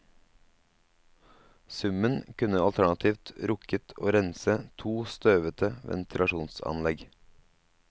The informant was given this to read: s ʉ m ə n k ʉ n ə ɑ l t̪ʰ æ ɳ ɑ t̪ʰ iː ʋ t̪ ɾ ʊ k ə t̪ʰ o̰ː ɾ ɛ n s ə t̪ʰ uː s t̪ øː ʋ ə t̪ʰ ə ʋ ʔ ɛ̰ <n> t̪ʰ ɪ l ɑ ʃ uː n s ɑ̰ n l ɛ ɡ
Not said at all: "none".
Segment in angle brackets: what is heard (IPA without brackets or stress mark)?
n